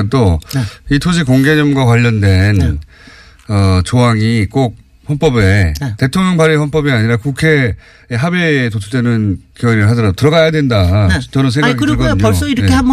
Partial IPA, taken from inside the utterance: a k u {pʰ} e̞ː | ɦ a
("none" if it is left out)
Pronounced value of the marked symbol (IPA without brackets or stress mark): kʰ